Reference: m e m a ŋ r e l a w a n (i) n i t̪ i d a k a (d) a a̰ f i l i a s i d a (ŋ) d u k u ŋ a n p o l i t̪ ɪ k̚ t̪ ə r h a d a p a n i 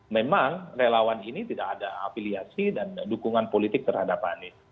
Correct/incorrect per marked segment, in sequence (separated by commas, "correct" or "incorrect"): correct, correct, incorrect